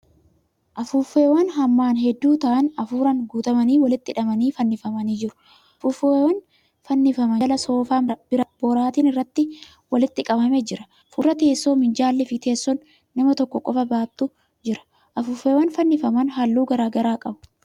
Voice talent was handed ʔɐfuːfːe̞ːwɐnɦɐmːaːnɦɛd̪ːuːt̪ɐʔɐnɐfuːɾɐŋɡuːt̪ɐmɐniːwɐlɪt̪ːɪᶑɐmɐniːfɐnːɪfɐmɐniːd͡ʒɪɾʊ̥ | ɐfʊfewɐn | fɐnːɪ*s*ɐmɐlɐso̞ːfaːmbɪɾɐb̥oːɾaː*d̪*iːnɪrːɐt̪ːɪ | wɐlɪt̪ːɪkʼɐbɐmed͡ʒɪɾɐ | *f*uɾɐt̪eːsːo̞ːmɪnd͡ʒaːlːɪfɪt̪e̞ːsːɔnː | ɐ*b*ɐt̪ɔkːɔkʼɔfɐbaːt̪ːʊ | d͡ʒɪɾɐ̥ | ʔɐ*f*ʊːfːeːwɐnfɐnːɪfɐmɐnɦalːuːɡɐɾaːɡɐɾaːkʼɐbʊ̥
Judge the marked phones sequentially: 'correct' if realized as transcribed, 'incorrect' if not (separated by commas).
incorrect, incorrect, correct, incorrect, correct